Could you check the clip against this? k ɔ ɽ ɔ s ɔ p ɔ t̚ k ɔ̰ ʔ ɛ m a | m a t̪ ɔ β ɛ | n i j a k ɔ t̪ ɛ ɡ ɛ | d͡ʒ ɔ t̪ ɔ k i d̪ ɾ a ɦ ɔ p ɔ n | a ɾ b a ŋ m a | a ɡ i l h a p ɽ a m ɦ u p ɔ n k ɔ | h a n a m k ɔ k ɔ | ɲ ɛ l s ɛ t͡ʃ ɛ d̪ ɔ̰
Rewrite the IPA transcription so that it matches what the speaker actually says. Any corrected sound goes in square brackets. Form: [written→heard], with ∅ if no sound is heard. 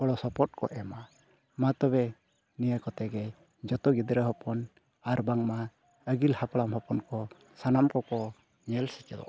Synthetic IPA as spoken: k ɔ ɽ ɔ s ɔ p ɔ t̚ k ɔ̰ ʔ ɛ m a | m a t̪ ɔ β ɛ | n i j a k ɔ t̪ ɛ ɡ ɛ | d͡ʒ ɔ t̪ ɔ [k→ɡ] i d̪ ɾ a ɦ ɔ p ɔ n | a ɾ b a ŋ m a | [a→ə] ɡ i l h a p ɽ a m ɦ [u→ɔ] p ɔ n k ɔ | [h→s] a n a m k ɔ k ɔ | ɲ ɛ l s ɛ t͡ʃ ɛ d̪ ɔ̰